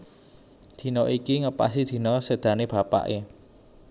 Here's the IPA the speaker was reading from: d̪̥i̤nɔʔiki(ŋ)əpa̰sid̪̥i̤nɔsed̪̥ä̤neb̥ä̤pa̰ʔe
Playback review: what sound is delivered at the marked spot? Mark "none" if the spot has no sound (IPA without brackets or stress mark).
ŋ